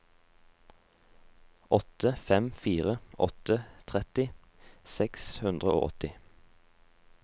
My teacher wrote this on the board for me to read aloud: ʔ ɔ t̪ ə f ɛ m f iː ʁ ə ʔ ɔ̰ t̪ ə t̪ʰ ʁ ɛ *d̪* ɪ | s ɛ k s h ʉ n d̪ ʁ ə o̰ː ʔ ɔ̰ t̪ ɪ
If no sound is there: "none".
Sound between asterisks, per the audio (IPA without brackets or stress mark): t̪